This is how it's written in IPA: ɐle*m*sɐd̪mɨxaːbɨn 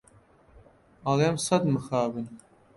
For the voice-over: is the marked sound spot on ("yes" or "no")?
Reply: yes